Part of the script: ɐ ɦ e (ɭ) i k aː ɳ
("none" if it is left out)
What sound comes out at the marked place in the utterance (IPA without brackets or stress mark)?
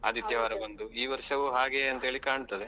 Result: ɭ